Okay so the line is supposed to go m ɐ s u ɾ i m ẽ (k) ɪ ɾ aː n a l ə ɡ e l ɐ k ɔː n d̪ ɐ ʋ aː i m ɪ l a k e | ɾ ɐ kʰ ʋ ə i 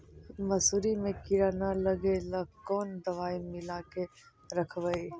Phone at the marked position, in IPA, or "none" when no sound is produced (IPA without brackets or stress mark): k